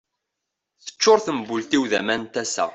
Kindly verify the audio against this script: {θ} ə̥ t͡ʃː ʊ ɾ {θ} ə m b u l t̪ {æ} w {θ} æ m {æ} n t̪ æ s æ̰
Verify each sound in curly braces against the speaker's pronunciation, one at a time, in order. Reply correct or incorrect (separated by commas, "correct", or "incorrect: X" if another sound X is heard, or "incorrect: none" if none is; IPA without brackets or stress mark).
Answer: correct, correct, incorrect: i, incorrect: ð, correct